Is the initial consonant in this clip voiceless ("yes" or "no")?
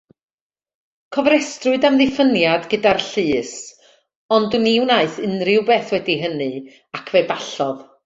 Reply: yes